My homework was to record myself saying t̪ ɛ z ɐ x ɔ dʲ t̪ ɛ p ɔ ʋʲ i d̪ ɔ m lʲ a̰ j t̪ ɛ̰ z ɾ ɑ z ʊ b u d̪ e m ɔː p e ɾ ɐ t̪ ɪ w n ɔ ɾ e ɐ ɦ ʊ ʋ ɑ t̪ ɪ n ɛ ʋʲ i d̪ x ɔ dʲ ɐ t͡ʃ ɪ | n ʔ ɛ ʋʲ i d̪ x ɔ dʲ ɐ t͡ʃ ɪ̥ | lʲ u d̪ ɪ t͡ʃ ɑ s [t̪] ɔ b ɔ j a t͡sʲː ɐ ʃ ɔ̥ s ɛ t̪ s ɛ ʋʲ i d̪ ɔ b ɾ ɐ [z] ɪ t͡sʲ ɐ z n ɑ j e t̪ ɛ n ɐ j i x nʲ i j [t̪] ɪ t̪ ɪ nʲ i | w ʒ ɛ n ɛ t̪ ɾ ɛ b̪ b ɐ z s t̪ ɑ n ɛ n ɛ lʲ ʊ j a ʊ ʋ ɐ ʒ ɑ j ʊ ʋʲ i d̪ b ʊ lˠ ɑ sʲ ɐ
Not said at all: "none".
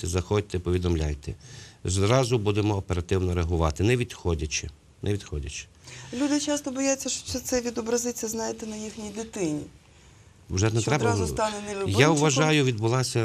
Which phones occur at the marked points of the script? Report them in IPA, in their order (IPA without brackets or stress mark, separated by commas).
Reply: t̪, z, d̪